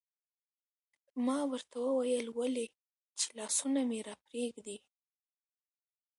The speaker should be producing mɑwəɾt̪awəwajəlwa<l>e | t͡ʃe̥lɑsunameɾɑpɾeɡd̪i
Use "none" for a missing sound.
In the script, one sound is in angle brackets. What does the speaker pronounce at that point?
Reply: l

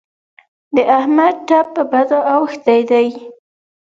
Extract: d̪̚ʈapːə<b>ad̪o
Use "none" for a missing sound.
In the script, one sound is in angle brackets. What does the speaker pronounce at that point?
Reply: b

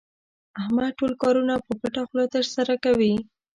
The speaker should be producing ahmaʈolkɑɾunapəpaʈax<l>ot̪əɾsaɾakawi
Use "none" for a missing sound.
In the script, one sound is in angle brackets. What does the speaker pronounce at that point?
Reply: l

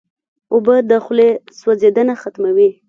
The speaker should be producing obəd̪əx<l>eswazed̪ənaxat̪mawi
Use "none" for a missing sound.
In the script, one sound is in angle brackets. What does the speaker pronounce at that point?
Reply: l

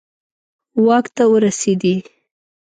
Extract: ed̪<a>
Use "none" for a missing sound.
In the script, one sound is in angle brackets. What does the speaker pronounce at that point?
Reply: i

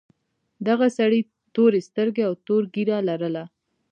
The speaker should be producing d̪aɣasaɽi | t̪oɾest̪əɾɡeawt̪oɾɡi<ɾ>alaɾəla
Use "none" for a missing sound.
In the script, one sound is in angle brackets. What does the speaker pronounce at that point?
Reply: ɾ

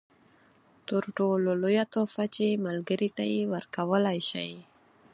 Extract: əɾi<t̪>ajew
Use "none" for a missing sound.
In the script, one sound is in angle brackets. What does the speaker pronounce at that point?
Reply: t̪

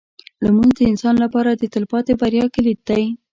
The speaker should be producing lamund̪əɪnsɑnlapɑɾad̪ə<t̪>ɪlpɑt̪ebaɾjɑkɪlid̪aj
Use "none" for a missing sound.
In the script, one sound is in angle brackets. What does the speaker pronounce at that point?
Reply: t̪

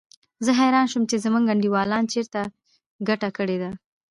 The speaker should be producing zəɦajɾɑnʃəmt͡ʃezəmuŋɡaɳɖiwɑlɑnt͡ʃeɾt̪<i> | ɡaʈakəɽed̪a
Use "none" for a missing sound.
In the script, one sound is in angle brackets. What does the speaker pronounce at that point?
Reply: a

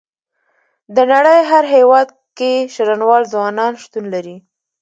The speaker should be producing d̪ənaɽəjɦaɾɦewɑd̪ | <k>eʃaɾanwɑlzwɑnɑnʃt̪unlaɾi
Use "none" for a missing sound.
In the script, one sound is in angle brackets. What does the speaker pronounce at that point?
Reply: k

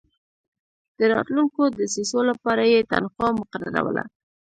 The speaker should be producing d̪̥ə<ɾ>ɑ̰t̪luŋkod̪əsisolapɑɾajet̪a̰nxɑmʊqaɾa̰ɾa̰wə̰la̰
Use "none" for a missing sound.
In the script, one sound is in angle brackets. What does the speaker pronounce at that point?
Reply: ɾ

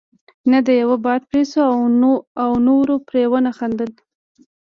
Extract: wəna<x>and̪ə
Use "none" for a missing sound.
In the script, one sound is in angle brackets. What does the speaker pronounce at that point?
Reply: x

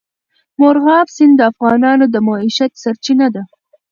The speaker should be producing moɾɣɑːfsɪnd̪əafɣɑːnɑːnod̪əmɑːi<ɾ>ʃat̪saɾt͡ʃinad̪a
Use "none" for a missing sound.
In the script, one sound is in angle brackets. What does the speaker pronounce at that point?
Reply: none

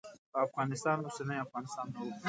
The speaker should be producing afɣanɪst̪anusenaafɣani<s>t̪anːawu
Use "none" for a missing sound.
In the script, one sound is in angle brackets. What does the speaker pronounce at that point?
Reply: s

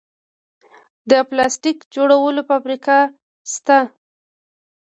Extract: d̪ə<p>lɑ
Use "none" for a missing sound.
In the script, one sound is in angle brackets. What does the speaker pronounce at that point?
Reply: p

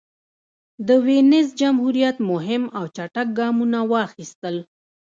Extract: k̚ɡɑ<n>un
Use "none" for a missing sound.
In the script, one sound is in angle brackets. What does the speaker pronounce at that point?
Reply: m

